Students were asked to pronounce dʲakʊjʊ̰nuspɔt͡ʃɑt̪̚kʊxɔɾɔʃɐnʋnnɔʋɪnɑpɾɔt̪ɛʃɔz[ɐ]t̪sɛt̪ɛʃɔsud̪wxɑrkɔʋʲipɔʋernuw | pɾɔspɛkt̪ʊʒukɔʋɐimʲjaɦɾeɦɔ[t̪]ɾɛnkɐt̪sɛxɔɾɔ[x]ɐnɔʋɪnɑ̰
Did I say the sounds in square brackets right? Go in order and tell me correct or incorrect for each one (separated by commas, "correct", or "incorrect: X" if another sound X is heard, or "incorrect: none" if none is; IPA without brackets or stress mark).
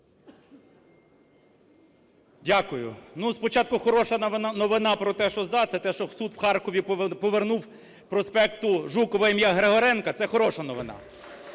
incorrect: ɑ, incorrect: none, incorrect: ʃ